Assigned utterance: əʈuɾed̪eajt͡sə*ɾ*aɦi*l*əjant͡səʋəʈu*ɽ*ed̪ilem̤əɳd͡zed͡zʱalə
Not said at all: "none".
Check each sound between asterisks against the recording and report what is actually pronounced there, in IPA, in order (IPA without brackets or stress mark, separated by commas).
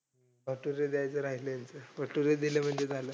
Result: ɾ, l, ɾ